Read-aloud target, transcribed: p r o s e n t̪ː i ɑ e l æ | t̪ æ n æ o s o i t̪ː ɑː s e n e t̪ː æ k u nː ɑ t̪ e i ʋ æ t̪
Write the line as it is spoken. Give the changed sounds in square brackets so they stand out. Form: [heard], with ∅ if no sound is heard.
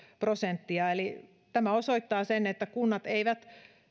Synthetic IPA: p r o s e n t̪ː i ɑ e l [i] | t̪ æ [m] æ o s o i t̪ː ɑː s e n e t̪ː æ k u nː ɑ t̪ e i ʋ æ t̪